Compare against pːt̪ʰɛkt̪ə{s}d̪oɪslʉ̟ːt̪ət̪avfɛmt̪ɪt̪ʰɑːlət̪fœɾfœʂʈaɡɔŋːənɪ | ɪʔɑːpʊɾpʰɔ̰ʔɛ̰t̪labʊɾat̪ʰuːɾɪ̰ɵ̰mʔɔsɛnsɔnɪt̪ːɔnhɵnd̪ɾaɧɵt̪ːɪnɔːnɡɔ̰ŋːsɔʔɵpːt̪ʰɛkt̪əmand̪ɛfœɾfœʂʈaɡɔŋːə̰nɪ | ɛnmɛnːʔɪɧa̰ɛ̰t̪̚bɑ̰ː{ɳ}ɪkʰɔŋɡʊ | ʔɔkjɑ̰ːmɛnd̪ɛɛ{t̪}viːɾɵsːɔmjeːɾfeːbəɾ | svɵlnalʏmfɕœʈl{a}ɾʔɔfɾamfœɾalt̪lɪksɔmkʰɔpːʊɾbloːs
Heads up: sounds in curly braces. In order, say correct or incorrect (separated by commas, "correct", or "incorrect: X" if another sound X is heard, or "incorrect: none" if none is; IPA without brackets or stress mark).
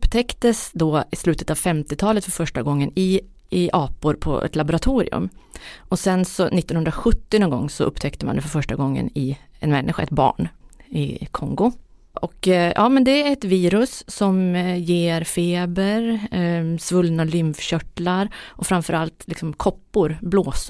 correct, correct, correct, correct